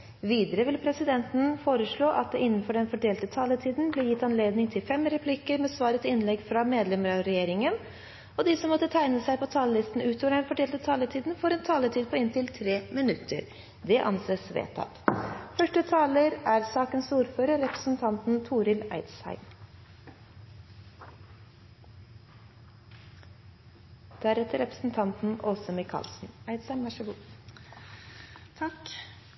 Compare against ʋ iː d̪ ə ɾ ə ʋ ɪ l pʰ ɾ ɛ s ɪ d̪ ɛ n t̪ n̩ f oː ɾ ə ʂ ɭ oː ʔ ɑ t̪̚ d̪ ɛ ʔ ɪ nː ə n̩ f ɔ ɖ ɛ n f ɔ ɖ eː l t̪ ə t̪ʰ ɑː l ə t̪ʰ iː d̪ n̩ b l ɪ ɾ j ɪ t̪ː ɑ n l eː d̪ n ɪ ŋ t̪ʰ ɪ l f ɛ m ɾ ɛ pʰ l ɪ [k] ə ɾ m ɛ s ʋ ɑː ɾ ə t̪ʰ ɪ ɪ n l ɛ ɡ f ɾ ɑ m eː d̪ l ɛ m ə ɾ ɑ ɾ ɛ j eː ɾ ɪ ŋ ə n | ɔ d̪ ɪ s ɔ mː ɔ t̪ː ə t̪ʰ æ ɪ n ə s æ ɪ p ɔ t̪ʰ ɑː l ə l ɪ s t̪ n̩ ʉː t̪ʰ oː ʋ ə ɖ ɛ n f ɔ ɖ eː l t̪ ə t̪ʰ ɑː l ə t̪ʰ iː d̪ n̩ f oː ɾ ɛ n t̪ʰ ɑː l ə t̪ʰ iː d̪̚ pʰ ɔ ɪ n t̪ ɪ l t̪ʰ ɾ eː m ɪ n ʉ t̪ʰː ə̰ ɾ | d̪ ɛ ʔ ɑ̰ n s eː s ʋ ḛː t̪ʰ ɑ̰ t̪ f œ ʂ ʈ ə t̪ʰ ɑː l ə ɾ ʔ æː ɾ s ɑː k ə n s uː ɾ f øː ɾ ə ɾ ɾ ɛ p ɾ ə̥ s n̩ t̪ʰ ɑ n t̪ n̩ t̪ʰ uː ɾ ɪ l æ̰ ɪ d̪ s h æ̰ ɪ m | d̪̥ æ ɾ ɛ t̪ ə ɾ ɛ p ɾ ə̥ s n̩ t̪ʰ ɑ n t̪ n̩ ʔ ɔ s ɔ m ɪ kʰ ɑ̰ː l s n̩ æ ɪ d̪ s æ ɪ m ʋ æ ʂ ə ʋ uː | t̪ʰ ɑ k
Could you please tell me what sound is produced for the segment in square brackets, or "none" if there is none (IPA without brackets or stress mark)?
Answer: k